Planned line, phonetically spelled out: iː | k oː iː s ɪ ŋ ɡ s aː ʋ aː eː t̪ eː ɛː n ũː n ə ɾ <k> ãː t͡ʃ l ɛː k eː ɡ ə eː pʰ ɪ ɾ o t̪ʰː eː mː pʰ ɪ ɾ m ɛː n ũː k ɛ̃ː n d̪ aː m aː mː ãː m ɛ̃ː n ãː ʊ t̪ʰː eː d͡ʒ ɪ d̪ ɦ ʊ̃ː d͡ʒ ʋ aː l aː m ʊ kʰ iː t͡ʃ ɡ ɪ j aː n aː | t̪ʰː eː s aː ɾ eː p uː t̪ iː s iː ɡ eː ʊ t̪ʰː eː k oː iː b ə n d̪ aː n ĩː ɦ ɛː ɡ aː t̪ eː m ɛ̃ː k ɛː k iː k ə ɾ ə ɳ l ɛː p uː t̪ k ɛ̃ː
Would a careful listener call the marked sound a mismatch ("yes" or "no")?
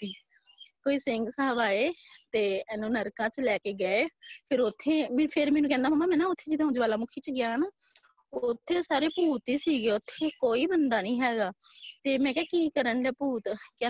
no